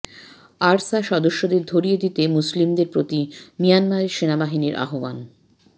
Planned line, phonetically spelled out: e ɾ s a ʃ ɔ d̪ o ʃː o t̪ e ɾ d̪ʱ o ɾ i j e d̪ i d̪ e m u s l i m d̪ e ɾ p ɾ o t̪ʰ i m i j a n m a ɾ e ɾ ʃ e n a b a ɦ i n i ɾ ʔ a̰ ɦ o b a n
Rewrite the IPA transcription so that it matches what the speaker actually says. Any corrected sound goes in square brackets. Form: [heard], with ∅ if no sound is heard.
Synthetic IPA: [a] ɾ s a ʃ ɔ d̪ o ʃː o [d̪] e ɾ d̪ʱ o ɾ i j e d̪ i [t̪] e m u s l i m d̪ e ɾ p ɾ o [t̪] i m i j a n m a ɾ e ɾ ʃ e n a b a ɦ i n i ɾ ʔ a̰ ɦ o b a n